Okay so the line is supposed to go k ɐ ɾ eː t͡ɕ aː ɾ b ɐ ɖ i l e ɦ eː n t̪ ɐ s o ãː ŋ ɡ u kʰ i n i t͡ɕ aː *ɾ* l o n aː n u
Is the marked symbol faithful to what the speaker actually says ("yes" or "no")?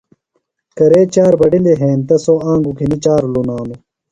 yes